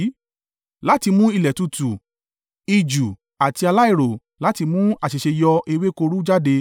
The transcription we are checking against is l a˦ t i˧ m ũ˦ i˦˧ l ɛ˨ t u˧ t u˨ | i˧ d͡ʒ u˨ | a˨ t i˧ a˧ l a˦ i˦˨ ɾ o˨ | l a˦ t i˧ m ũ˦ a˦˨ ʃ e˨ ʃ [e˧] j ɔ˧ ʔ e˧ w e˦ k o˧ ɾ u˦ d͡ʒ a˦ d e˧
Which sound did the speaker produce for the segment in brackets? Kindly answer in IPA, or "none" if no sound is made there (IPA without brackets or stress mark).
e˧